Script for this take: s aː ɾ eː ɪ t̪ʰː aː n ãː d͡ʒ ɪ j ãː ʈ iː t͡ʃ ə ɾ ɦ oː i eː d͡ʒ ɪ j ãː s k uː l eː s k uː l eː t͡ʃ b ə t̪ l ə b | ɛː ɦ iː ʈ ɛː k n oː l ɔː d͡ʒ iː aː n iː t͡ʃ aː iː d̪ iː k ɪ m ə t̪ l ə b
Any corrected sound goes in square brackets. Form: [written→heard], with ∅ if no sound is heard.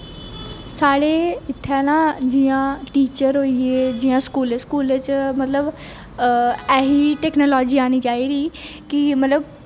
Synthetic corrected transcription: s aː [ɾ→ɽ] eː ɪ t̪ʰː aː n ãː d͡ʒ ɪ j ãː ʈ iː t͡ʃ ə ɾ ɦ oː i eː d͡ʒ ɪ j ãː s k uː l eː s k uː l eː t͡ʃ [b→m] ə t̪ l ə b | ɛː ɦ iː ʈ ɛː k n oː l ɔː d͡ʒ iː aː n iː t͡ʃ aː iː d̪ iː k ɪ m ə t̪ l ə b